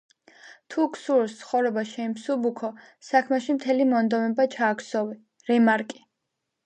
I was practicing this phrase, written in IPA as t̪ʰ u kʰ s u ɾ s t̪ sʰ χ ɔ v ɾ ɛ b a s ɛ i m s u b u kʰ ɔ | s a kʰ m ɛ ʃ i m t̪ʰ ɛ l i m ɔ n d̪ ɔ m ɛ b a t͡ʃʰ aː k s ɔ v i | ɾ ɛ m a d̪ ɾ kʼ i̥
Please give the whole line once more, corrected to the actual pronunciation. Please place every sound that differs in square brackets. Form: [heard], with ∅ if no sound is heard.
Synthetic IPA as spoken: t̪ʰ u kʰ s u ɾ s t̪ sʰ χ ɔ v ɾ ɛ b a [ʃ] ɛ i m s u b u kʰ ɔ | s a kʰ m ɛ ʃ i m t̪ʰ ɛ l i m ɔ n d̪ ɔ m ɛ b a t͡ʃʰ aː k s ɔ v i | ɾ ɛ m a [∅] ɾ kʼ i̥